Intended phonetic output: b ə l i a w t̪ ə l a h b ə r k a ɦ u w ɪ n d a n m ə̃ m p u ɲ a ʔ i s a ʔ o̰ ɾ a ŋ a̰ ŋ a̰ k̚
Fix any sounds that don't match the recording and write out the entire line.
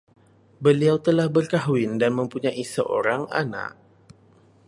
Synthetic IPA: b ə l i a w t̪ ə l a h b ə r k a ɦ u w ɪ n d a n m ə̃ m p u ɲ a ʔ i s ə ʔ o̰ ɾ a ŋ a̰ n a̰ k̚